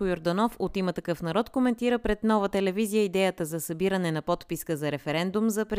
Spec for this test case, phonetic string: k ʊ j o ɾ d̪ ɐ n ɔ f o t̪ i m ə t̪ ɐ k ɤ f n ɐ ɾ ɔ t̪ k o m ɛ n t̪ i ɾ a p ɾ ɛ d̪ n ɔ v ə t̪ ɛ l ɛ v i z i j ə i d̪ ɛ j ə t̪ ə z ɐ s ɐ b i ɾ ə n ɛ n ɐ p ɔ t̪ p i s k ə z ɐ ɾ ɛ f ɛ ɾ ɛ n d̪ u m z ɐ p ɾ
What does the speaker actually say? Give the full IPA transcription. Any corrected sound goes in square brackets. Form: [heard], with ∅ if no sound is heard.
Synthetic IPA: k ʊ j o ɾ d̪ ɐ n ɔ f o t̪ i m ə t̪ ɐ k ɤ f n ɐ ɾ ɔ t̪ k o m ɛ n t̪ i ɾ [ə] p ɾ ɛ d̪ n ɔ v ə t̪ ɛ l ɛ v i z i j ə i d̪ ɛ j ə t̪ ə z ɐ s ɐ b i ɾ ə n ɛ n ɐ p ɔ t̪ p i s k ə z ɐ ɾ ɛ f ɛ ɾ ɛ n d̪ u m z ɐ p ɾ